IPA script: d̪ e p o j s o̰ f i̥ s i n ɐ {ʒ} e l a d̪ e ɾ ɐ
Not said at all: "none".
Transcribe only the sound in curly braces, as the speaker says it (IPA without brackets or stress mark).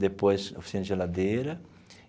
ʒ